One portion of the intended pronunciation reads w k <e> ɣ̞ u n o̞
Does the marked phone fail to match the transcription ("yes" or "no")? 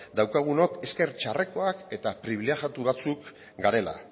yes